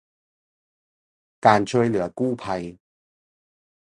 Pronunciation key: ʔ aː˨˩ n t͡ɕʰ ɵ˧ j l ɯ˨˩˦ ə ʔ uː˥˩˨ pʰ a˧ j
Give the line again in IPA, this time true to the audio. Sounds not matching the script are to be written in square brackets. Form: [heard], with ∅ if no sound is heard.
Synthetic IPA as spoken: [k] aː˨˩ n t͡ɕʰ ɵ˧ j l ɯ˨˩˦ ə [k] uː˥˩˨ pʰ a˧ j